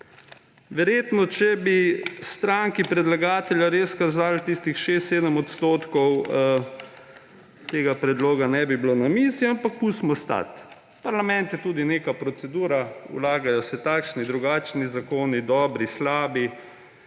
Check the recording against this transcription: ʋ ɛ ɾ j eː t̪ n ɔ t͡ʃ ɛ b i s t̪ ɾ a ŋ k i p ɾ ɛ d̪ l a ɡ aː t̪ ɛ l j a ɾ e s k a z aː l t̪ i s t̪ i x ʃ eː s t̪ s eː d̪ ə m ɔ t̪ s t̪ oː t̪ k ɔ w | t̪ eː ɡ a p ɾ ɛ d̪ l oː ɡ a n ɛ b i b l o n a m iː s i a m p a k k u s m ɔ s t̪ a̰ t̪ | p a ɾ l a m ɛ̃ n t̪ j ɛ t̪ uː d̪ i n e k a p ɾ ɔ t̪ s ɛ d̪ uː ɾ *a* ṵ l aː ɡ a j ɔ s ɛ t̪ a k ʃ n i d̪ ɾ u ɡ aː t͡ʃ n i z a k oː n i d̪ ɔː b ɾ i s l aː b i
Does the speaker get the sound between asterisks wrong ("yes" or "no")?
no